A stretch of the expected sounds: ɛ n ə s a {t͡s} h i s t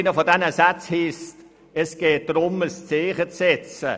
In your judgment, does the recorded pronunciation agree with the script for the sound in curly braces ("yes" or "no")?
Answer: yes